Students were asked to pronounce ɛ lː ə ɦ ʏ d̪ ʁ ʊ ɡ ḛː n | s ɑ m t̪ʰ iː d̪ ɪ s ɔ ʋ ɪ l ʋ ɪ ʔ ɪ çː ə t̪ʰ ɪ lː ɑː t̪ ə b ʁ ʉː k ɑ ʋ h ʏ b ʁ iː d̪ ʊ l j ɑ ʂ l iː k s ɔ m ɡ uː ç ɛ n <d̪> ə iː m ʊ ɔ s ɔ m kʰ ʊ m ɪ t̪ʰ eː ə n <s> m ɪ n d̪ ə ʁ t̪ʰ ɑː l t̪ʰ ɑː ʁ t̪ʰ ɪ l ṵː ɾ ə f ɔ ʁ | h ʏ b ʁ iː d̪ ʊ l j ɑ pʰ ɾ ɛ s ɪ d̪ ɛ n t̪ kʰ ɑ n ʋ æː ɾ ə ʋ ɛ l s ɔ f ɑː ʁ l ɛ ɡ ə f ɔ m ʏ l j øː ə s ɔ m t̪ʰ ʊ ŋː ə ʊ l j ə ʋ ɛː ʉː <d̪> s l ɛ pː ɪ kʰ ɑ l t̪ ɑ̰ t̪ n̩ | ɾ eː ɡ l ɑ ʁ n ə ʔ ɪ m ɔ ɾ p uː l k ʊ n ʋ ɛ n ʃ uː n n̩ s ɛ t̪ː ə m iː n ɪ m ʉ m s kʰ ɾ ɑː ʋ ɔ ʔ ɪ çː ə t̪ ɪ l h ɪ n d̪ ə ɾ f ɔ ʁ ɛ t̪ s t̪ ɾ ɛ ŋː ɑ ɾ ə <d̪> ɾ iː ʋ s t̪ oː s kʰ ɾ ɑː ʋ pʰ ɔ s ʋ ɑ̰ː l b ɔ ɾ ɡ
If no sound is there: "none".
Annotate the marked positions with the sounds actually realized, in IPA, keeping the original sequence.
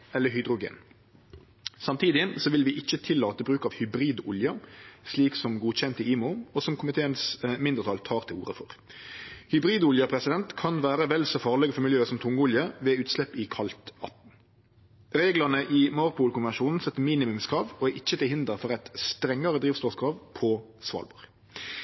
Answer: t̪, s, t̪, d̪

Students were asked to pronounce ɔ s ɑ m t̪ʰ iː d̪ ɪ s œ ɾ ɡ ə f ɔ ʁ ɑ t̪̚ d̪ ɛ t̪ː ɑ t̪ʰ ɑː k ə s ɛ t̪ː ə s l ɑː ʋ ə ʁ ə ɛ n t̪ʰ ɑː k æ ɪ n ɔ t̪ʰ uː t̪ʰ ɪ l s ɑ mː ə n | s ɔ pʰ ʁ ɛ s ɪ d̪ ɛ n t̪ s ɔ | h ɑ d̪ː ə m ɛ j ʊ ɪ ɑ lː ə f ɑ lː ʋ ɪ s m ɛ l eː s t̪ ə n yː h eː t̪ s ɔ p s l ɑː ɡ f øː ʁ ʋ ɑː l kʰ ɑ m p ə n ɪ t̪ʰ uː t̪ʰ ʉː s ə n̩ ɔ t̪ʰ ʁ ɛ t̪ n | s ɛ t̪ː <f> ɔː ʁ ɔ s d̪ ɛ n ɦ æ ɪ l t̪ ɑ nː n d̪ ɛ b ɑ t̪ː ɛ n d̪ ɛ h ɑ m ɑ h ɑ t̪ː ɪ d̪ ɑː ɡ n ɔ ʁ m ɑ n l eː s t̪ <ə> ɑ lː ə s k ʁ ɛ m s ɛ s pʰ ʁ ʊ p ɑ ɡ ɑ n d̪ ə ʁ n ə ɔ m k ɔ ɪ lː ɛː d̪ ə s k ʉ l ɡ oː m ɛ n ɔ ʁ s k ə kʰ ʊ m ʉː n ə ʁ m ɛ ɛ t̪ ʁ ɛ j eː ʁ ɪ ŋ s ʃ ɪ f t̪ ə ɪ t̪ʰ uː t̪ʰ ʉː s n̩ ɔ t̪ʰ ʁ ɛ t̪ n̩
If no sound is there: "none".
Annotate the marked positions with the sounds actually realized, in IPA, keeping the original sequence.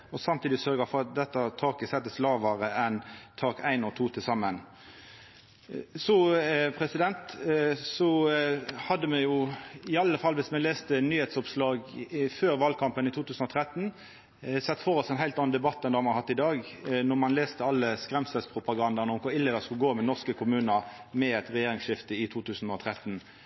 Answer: f, ə

